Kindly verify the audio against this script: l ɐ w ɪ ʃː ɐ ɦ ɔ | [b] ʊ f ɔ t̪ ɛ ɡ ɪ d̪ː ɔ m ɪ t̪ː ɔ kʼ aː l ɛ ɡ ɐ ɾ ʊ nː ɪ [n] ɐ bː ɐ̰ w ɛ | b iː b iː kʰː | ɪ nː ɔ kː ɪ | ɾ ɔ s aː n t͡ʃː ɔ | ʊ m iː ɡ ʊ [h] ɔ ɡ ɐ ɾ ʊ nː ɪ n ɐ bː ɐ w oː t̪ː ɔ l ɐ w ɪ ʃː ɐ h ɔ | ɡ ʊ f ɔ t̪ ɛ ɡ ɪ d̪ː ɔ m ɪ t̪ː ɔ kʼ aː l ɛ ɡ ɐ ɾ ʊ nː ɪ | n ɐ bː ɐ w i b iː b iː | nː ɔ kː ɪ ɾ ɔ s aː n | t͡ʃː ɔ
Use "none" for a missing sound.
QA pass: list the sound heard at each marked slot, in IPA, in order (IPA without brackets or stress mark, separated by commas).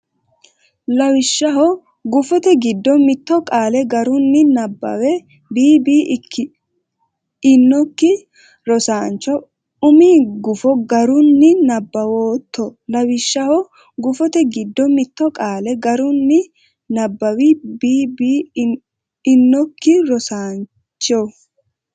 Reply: ɡ, n, f